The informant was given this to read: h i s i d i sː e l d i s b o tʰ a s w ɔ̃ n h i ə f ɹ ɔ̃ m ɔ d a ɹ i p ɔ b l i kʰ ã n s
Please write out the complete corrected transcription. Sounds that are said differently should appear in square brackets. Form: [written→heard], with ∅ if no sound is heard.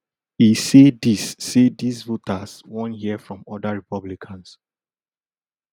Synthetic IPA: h i s [i→e] d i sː e [l→∅] d i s [b→v] o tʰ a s w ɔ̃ n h i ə f ɹ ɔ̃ m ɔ d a ɹ i p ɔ b l i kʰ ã n s